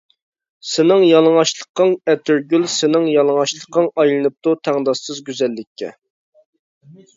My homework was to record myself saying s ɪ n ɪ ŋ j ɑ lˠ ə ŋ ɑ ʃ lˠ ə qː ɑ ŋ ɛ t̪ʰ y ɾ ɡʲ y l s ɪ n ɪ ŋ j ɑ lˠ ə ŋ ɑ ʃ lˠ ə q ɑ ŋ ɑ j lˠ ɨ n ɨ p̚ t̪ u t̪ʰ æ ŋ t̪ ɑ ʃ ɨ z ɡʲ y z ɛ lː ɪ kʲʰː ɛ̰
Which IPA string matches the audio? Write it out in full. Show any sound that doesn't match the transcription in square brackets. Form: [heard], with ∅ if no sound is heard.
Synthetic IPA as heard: s ɪ n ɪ ŋ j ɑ lˠ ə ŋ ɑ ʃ lˠ ə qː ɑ ŋ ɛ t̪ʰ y ɾ ɡʲ y l s ɪ n ɪ ŋ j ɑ lˠ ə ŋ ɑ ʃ lˠ ə q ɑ ŋ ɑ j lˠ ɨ n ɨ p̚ t̪ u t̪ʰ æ ŋ [d̪] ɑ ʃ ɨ z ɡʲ y z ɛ lː ɪ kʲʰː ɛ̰